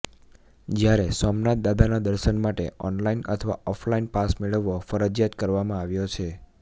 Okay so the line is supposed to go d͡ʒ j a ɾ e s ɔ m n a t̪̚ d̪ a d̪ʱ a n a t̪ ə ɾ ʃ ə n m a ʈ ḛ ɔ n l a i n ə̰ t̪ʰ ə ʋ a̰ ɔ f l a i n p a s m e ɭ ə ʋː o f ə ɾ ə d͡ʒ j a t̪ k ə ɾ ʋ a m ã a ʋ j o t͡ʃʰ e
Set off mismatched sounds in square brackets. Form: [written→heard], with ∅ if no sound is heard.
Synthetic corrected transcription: d͡ʒ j a ɾ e s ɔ m n a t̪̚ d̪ a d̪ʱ a n a [t̪→d̪] ə ɾ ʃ ə n m a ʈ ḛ ɔ n l a i n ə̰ t̪ʰ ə ʋ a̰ ɔ f l a i n p a s m e ɭ ə ʋː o f ə ɾ ə d͡ʒ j a t̪ k ə ɾ ʋ a m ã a ʋ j o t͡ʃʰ e